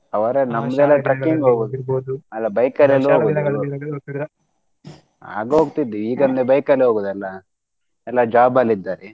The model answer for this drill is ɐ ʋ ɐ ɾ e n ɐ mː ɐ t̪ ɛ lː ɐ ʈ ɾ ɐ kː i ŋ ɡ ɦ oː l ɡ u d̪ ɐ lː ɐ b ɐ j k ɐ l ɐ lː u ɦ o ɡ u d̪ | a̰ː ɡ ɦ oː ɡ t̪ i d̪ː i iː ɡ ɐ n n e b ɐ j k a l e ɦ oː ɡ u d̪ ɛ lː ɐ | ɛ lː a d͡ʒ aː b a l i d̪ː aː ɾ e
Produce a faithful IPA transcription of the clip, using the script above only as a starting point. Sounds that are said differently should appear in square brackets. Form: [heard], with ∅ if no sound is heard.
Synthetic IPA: ɐ ʋ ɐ ɾ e n ɐ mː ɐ [d̪] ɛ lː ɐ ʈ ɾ ɐ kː i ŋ ɡ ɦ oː [∅] ɡ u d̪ ɐ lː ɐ b ɐ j k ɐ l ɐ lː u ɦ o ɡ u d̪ | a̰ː ɡ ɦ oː ɡ t̪ i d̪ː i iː ɡ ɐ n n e b ɐ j k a l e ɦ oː ɡ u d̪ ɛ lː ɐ | ɛ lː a d͡ʒ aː b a l i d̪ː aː ɾ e